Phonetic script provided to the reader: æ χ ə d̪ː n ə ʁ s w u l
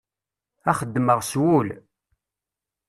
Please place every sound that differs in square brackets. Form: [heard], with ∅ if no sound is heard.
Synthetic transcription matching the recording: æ χ ə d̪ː [m] ə ʁ s w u l